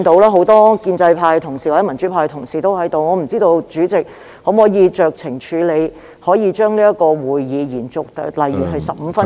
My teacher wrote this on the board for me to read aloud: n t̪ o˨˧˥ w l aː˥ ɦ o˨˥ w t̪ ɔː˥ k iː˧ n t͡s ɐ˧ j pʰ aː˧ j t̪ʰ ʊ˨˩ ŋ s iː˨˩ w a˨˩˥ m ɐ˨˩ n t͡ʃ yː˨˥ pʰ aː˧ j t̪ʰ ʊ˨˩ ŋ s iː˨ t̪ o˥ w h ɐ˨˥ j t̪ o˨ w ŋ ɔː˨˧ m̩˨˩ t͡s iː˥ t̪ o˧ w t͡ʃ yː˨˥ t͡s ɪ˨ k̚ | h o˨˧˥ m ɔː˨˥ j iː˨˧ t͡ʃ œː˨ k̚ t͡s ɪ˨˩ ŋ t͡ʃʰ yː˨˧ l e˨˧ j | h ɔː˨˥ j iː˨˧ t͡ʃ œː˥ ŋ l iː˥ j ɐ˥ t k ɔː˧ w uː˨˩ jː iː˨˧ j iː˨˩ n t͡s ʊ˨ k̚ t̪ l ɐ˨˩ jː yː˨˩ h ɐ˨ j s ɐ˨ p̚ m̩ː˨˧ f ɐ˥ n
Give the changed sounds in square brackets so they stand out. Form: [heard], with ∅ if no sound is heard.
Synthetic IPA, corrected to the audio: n t̪ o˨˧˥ w l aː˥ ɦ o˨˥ w t̪ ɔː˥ k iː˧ n t͡s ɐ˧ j pʰ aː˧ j t̪ʰ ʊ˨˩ ŋ s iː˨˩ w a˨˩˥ m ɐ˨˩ n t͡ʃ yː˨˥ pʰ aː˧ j t̪ʰ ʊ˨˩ ŋ s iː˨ t̪ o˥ w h ɐ˨˥ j t̪ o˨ w ŋ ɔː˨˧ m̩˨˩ t͡s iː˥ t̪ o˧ w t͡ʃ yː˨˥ t͡s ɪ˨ k̚ | h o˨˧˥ m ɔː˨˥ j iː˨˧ t͡ʃ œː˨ k̚ [t͡sʰ] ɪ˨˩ ŋ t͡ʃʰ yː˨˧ l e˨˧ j | h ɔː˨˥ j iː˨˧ t͡ʃ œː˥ ŋ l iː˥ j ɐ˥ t k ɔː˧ w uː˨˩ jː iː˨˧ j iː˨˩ n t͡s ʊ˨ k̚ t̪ l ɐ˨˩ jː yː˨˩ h ɐ˨ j s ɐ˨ p̚ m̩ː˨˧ f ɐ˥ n